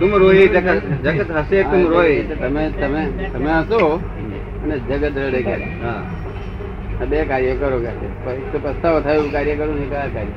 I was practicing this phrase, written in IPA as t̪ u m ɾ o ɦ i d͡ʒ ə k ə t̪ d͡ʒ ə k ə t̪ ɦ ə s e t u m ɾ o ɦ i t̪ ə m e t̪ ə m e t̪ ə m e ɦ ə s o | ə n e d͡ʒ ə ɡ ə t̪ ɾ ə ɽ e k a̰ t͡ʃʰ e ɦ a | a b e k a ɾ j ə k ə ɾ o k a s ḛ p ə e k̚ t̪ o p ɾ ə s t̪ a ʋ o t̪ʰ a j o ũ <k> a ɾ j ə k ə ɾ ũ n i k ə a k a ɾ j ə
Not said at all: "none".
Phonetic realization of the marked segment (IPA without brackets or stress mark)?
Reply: k